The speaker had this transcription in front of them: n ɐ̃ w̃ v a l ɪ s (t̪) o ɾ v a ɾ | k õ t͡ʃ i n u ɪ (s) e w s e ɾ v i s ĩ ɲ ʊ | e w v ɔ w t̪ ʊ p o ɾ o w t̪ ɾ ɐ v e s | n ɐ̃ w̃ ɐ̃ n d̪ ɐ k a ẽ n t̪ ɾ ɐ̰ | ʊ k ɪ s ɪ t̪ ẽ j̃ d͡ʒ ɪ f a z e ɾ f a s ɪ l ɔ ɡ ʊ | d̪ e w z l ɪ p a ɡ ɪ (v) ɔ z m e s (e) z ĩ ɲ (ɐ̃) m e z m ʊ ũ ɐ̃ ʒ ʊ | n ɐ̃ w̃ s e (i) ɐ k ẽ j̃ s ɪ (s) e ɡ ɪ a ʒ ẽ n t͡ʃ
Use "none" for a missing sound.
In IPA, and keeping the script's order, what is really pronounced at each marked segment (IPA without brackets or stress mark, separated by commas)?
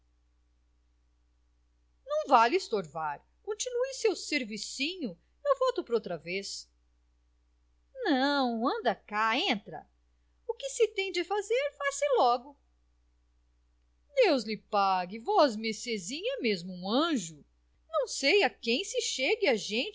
t̪, s, v, e, ɐ, j, ʃ